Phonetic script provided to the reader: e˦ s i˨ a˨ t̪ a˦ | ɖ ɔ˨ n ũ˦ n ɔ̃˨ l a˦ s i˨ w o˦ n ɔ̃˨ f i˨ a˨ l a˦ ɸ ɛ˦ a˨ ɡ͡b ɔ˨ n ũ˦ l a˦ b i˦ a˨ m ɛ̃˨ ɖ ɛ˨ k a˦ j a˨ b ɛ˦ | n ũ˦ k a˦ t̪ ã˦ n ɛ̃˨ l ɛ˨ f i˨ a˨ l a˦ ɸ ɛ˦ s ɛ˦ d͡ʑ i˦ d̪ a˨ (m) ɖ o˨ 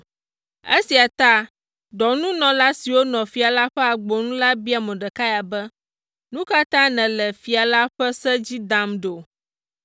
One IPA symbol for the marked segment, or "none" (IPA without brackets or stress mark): m